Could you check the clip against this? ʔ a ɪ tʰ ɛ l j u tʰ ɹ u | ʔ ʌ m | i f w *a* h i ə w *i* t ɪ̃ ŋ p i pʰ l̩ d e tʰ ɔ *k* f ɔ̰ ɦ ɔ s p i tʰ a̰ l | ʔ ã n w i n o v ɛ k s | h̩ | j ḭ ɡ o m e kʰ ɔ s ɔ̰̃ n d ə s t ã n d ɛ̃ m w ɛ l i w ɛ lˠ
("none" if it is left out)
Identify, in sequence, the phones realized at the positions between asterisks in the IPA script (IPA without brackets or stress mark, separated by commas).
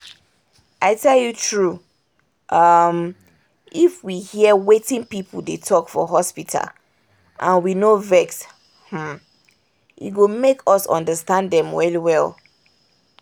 i, e, k